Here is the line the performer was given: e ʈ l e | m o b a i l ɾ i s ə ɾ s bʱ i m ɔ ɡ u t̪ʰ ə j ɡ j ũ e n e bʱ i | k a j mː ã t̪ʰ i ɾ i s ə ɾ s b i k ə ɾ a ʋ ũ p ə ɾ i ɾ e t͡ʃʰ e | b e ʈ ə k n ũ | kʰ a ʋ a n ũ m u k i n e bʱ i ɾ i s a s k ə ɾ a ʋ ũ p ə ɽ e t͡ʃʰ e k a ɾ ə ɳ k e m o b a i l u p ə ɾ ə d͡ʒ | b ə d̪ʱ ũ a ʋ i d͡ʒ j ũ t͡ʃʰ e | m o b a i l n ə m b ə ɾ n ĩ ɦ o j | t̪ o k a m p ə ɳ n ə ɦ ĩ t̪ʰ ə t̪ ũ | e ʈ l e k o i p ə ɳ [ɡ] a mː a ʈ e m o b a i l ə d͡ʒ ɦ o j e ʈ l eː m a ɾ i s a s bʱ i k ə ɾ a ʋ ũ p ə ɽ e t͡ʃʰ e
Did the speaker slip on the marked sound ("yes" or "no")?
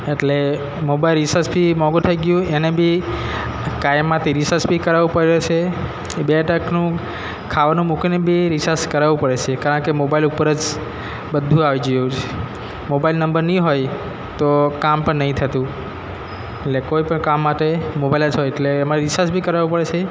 yes